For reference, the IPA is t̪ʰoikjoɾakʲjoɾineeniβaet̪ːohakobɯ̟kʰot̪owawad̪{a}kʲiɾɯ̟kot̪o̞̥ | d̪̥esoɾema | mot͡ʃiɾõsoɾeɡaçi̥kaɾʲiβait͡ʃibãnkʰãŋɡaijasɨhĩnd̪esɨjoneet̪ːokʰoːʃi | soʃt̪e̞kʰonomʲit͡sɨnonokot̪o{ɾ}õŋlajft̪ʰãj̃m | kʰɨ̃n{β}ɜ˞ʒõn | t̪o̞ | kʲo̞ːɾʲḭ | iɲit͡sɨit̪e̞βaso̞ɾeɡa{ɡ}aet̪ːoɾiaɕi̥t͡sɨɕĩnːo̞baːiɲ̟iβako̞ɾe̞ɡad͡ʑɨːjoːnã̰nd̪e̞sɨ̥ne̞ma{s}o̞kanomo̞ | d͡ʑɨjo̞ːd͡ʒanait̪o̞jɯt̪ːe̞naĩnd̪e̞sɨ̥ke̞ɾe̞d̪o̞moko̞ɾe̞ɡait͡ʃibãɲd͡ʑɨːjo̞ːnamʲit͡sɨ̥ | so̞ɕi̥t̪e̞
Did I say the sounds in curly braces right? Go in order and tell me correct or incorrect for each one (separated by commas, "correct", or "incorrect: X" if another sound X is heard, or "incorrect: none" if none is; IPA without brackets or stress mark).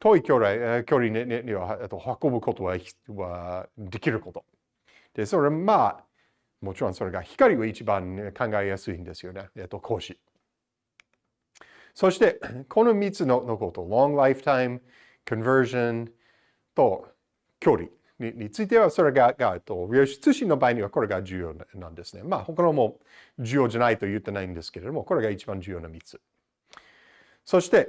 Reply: incorrect: e, incorrect: l, incorrect: v, correct, incorrect: h